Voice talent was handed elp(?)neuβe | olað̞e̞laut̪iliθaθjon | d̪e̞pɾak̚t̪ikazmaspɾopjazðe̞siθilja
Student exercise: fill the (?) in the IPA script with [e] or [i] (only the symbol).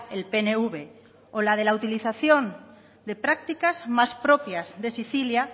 e